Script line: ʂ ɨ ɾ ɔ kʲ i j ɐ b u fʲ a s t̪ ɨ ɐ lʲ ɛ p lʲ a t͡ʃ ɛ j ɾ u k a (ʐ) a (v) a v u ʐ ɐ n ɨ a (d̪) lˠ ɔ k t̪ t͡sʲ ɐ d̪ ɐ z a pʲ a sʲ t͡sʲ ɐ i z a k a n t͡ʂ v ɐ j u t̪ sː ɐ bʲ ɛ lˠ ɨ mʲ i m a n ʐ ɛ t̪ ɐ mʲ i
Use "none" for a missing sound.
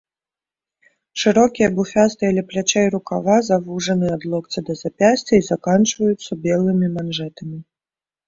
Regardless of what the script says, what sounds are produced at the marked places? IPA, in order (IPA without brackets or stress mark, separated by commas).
v, z, d̪